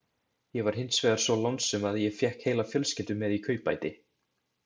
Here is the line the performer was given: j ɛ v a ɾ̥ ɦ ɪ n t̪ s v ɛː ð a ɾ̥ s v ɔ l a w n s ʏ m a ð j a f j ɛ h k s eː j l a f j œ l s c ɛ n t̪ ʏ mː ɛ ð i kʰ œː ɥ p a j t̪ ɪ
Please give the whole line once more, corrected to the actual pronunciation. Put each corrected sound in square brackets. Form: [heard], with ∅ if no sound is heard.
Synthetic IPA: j ɛ v a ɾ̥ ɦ ɪ n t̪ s v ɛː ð a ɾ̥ s v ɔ l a w n s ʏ m a ð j [ɛ] f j ɛ h k [h] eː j l a f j œ l s c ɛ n t̪ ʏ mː ɛ ð i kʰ œː ɥ p a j t̪ ɪ